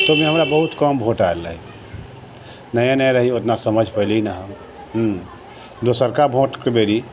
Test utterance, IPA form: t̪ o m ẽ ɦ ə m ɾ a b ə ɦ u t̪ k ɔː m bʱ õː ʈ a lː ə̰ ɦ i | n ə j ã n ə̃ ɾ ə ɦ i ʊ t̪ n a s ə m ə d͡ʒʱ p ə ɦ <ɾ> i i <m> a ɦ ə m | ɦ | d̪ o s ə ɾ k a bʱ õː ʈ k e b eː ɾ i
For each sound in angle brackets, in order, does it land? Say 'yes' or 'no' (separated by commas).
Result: no, no